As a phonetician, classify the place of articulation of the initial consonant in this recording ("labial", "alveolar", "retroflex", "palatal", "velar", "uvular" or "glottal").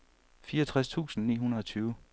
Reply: labial